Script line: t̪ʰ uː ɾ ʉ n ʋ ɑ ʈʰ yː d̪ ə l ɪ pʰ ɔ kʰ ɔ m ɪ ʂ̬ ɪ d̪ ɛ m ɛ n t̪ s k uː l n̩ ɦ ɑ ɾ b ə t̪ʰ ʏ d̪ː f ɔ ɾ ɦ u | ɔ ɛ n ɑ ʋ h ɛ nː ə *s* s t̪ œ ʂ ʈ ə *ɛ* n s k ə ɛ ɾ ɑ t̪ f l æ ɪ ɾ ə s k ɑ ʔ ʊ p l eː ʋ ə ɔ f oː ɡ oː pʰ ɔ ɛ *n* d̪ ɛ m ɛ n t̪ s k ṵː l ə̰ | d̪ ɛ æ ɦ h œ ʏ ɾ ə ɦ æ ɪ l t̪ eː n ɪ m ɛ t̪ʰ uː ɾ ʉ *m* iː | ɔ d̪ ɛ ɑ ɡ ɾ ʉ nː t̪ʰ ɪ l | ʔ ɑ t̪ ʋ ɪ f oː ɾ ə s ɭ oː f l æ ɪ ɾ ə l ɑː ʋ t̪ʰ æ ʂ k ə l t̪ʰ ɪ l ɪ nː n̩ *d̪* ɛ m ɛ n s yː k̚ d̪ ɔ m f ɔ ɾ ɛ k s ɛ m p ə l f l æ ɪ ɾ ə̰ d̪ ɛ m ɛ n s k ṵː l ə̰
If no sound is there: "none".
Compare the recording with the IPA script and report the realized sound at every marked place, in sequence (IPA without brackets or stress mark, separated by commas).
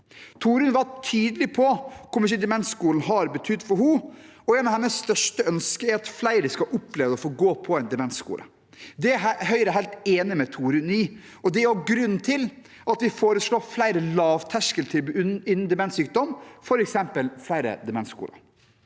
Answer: s, œ, n, n, d̪